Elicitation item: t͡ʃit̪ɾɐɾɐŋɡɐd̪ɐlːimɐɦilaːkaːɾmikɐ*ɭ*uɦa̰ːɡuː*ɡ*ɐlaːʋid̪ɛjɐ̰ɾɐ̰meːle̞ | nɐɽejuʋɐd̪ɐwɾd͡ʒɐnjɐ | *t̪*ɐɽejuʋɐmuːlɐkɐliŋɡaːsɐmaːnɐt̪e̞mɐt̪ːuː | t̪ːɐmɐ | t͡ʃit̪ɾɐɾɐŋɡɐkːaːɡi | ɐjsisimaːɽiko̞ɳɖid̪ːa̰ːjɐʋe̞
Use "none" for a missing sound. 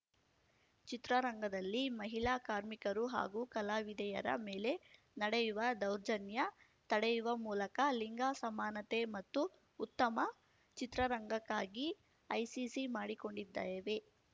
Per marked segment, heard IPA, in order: ɾ, k, t̪

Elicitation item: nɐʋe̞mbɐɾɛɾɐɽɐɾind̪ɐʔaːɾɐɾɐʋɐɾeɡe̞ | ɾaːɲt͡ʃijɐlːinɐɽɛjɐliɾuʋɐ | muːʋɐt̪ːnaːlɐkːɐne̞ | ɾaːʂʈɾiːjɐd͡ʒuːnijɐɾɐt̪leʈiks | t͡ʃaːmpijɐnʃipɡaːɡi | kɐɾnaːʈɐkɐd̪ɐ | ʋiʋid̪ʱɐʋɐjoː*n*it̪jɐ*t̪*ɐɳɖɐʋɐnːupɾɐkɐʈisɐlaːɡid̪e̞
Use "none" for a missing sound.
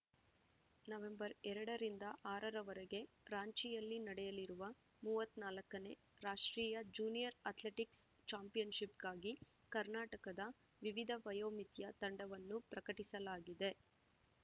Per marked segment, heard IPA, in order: m, t̪

